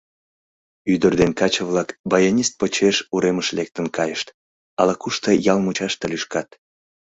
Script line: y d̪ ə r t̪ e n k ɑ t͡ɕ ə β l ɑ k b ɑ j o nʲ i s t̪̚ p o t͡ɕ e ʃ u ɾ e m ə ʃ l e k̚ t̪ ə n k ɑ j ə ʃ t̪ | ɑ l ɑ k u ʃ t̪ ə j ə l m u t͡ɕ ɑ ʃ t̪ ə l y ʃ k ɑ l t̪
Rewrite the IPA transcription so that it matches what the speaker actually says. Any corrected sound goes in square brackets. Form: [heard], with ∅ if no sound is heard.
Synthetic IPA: y d̪ ə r [d̪] e n k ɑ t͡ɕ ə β l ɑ k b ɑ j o nʲ i s t̪̚ p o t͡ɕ e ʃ u ɾ e m ə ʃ l e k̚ t̪ ə n k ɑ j ə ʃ t̪ | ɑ l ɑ k u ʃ t̪ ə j [ɑ] l m u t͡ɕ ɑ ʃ t̪ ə l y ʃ k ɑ [∅] t̪